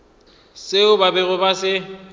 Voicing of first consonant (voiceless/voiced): voiceless